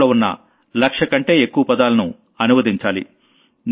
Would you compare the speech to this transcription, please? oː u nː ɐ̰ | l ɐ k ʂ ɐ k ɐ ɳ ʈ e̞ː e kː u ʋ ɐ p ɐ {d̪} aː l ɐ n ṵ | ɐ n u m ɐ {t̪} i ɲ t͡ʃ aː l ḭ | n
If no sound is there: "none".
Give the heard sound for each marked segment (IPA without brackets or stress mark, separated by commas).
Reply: d̪, d̪